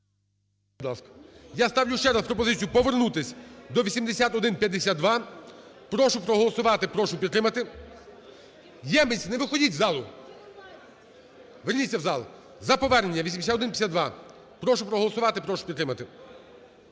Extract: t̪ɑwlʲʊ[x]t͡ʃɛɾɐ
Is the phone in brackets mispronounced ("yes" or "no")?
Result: yes